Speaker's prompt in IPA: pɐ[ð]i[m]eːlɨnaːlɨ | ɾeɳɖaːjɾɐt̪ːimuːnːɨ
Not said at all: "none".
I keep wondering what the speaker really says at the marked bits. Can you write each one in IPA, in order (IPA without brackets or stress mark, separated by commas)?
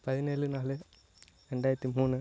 ð, n